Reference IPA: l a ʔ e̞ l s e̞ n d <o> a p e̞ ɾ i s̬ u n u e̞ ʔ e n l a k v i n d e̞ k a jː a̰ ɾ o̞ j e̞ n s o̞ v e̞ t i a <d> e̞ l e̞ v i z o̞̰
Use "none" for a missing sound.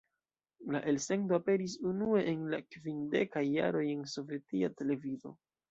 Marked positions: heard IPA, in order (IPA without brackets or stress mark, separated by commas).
o, t